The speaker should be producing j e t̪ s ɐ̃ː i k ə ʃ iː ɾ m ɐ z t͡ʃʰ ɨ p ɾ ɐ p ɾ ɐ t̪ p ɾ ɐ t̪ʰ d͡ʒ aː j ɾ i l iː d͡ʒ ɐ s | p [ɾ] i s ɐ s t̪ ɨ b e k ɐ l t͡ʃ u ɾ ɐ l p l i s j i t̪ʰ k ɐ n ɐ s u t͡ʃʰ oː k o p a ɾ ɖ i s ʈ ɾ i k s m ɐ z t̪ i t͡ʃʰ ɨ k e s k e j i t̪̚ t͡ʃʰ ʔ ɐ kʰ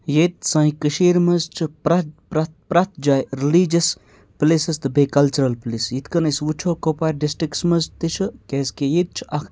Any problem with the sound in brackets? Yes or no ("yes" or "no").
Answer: yes